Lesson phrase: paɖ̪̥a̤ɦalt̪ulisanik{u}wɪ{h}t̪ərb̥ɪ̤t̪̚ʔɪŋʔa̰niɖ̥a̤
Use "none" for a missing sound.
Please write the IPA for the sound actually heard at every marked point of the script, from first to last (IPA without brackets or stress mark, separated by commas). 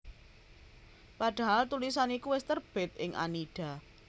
u, s